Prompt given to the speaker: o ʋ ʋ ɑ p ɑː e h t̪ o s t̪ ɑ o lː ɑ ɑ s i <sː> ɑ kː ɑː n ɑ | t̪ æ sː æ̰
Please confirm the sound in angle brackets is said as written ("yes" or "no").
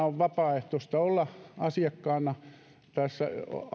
no